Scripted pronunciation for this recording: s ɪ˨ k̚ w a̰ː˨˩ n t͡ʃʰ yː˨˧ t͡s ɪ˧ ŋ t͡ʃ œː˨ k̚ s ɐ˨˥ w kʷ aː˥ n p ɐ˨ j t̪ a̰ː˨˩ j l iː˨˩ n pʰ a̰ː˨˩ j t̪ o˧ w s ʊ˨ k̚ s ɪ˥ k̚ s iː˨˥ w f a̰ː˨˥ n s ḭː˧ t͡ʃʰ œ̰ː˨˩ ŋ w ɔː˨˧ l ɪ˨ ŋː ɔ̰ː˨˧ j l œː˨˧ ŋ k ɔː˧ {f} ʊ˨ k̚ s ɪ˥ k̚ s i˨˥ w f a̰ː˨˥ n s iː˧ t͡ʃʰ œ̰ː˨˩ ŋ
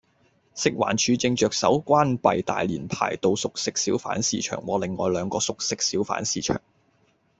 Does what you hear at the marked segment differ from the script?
yes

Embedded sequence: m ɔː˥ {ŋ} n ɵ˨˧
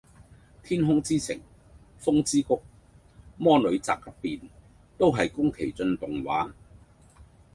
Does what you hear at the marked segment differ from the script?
yes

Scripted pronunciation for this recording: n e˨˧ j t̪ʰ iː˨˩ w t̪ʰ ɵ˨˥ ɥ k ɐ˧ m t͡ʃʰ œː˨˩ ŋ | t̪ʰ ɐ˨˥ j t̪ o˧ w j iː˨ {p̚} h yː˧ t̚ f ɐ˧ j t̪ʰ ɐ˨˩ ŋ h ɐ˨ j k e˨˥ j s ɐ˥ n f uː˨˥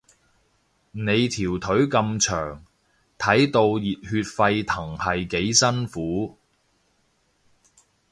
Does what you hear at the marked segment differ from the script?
yes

